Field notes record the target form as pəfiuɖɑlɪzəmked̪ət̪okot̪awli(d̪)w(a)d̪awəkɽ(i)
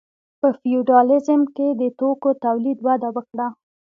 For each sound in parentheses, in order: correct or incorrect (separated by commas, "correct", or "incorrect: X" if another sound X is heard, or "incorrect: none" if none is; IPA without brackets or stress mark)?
correct, correct, incorrect: a